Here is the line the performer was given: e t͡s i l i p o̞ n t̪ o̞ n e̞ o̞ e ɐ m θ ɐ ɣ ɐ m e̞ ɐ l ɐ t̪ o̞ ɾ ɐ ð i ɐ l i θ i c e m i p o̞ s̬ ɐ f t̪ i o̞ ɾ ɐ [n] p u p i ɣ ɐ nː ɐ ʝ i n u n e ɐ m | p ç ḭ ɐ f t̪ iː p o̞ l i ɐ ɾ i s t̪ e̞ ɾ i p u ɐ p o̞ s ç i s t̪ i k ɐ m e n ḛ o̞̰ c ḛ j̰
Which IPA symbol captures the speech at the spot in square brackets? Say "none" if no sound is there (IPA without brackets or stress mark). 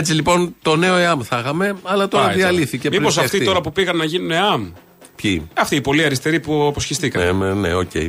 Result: none